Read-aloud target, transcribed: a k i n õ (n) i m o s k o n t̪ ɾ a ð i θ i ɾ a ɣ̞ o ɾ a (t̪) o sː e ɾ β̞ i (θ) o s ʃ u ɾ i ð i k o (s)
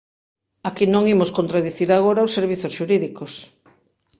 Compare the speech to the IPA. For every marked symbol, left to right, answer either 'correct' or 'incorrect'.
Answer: incorrect, incorrect, correct, correct

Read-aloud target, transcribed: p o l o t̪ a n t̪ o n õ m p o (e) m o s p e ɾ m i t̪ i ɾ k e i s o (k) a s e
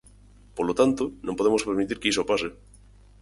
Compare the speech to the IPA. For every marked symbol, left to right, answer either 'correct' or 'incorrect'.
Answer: correct, incorrect

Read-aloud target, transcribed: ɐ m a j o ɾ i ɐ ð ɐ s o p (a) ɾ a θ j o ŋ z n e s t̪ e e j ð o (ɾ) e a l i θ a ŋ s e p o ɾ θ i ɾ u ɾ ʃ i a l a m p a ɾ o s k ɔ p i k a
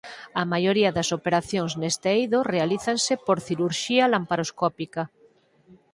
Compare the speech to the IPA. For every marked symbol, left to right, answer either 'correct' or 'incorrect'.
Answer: incorrect, incorrect

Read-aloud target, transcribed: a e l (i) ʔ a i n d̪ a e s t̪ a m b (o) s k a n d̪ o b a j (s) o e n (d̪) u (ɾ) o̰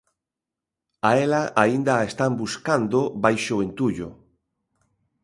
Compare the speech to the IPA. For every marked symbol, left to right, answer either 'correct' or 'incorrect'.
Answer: incorrect, incorrect, incorrect, incorrect, incorrect

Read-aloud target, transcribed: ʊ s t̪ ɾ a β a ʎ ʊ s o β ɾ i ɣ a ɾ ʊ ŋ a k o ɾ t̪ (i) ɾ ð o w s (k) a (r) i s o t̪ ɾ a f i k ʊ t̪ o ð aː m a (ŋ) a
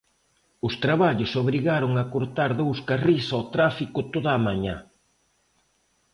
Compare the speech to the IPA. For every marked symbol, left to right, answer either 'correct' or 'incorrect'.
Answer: incorrect, correct, correct, incorrect

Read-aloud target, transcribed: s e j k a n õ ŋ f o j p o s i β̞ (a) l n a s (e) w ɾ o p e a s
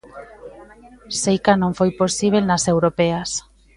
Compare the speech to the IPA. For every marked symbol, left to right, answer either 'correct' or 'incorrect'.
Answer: incorrect, correct

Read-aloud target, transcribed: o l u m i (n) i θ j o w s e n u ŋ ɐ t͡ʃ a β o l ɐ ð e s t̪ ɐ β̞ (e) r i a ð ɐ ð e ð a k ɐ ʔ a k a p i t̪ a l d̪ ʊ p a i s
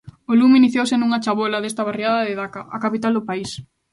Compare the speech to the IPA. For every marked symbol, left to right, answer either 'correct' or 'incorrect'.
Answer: correct, incorrect

